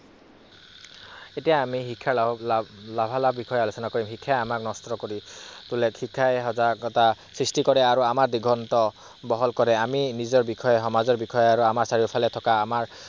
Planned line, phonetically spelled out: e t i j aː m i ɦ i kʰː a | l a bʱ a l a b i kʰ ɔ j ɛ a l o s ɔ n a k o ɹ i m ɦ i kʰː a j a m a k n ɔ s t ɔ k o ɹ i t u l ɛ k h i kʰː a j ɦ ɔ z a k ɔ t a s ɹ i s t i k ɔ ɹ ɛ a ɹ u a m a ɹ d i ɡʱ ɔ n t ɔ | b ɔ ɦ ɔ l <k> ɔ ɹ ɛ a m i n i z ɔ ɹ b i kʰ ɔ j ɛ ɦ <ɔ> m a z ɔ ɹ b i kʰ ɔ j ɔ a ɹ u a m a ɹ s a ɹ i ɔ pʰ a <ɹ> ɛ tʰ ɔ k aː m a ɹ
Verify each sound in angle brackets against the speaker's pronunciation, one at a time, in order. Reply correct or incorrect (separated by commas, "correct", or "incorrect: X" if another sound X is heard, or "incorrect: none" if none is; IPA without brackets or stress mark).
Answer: correct, correct, incorrect: l